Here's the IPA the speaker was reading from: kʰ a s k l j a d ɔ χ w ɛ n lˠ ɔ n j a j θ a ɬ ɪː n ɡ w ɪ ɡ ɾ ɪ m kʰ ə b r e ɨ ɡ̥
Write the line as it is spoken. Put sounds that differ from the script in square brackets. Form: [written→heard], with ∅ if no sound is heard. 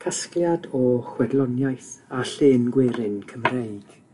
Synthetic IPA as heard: kʰ a s k l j a d ɔ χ w ɛ [n→d] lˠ ɔ n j a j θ a ɬ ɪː n ɡ w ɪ [ɡ→∅] ɾ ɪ [m→n] kʰ ə [b→m] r e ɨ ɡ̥